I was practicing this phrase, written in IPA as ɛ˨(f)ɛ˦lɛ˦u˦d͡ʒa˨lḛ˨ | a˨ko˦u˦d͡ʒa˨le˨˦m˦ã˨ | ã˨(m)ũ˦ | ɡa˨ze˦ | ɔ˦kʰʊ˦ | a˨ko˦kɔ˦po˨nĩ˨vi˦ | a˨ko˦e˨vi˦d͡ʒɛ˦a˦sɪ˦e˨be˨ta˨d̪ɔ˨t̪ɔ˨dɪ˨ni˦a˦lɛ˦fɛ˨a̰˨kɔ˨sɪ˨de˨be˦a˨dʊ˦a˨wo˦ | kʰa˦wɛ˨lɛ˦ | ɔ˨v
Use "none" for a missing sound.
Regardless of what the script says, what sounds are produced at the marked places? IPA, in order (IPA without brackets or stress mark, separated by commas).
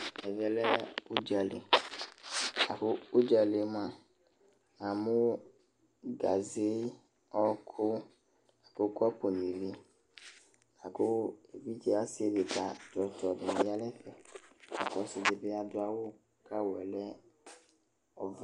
v, m